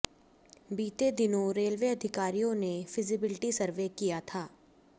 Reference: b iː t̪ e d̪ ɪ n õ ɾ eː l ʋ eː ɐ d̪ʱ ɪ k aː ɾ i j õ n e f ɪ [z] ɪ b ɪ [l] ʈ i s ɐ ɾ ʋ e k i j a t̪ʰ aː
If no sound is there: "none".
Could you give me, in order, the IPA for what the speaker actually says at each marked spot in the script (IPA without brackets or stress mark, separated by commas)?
z, l